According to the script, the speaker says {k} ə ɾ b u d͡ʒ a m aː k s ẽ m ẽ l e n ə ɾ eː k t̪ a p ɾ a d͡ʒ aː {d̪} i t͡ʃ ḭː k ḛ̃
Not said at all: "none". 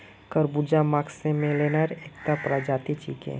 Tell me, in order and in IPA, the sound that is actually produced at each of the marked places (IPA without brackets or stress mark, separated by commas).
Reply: k, t̪